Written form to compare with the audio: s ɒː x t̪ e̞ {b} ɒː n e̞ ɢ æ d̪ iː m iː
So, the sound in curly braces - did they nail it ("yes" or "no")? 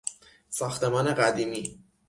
no